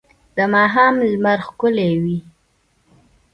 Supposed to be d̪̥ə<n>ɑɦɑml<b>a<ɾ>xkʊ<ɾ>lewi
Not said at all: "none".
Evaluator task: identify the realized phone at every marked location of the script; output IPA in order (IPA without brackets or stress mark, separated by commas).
m, m, ɾ, none